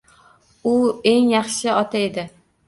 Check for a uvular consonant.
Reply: present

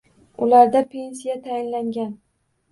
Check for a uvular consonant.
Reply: absent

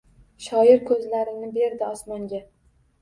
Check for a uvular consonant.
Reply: absent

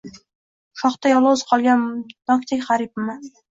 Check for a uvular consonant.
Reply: present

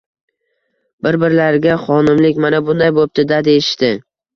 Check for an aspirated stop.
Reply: absent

